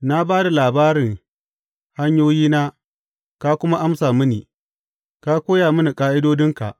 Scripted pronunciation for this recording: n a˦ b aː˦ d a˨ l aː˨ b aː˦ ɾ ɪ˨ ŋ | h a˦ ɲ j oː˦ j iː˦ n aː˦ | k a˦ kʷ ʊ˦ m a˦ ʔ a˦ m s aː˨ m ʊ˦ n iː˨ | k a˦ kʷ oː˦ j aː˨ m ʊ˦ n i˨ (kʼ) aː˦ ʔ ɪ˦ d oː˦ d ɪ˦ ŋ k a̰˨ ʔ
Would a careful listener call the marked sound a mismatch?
no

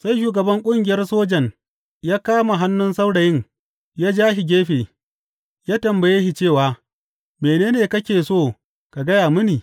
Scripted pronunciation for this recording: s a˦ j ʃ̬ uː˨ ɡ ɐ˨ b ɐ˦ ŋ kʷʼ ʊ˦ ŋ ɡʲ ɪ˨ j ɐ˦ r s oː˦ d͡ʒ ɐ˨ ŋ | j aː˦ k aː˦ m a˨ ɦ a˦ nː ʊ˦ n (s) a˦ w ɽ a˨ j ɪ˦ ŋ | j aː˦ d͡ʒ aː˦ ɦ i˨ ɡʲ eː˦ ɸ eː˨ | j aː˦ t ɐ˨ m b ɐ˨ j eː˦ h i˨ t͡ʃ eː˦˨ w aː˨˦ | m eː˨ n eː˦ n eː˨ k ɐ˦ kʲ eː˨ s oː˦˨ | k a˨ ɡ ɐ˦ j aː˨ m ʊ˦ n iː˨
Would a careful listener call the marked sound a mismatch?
no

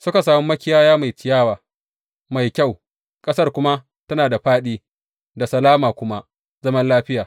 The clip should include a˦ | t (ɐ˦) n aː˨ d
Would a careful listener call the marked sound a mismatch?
no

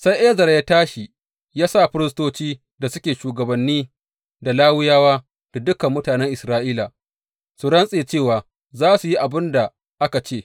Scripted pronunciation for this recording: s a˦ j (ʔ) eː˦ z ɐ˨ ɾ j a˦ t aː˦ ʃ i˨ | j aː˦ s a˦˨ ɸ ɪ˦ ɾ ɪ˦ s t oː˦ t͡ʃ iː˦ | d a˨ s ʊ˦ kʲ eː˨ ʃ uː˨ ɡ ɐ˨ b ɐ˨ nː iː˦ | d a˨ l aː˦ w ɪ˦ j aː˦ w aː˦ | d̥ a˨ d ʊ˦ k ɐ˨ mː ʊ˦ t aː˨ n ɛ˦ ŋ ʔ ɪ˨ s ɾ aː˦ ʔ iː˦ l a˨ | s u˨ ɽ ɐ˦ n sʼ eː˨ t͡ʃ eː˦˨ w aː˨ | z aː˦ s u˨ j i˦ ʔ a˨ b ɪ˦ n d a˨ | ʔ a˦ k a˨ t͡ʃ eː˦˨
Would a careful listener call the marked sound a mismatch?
no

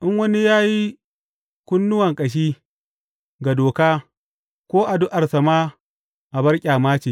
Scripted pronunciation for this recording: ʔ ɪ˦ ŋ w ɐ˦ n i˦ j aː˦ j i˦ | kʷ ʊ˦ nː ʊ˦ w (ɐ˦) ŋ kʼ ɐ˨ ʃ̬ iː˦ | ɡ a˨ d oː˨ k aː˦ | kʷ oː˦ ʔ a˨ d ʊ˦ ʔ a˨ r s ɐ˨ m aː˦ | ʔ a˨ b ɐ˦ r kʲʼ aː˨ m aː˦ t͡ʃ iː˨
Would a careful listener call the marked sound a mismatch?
yes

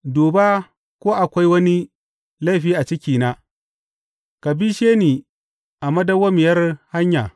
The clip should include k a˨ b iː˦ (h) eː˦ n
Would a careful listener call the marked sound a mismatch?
yes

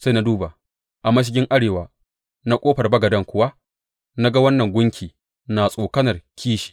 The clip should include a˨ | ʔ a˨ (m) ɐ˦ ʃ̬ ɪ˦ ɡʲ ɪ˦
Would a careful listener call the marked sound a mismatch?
no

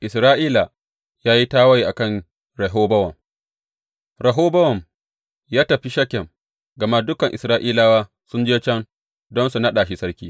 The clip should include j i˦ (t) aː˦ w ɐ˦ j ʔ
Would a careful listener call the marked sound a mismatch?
no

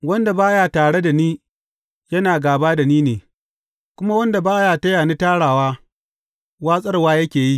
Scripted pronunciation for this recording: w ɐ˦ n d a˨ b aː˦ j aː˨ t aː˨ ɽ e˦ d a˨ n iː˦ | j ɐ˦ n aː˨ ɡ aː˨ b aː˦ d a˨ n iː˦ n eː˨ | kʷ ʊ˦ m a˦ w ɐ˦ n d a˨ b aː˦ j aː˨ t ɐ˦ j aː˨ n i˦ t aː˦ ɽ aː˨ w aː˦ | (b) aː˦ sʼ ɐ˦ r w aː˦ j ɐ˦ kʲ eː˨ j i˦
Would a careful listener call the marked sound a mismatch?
yes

